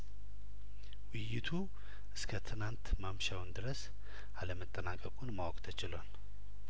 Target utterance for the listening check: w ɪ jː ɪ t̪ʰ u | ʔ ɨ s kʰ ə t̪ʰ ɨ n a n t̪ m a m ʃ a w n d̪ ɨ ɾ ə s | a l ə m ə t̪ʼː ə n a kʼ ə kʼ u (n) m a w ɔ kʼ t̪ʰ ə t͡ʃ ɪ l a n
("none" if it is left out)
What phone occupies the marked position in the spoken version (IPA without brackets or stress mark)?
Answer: n